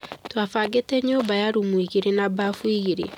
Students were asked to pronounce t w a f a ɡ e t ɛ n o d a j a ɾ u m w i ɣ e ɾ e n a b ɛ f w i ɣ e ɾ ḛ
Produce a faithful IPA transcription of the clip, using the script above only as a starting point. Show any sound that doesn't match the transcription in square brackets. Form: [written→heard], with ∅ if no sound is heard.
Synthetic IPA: t w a f a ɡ e t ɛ [n→ɲ] o [d→b] a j a ɾ u m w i ɣ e ɾ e n a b [ɛ→a] f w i ɣ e ɾ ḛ